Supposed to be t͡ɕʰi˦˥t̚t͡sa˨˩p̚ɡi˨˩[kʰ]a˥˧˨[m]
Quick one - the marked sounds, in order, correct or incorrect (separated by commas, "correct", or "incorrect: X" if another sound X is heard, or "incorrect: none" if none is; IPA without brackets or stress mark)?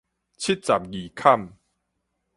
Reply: correct, correct